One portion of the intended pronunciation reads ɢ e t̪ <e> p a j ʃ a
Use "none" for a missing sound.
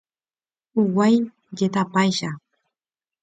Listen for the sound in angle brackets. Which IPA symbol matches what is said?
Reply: a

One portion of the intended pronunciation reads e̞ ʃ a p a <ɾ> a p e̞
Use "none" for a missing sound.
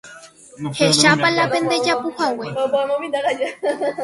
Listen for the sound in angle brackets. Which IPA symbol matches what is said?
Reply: l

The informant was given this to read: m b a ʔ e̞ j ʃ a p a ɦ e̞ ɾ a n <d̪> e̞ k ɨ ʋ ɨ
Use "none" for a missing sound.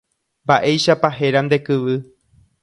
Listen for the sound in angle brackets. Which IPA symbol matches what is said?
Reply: d̪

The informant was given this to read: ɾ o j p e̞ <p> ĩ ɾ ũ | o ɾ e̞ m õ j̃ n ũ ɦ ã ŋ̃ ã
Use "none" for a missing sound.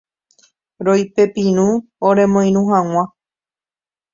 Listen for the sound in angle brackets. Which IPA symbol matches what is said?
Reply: p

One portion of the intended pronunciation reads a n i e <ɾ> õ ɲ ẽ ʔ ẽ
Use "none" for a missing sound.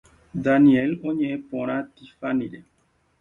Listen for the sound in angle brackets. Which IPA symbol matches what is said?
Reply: l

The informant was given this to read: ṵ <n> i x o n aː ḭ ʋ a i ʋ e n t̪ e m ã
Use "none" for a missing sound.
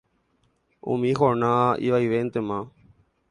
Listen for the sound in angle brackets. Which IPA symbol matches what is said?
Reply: m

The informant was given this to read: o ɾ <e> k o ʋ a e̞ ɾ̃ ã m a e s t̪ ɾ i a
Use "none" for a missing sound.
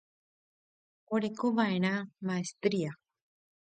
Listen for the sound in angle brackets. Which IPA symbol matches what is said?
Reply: e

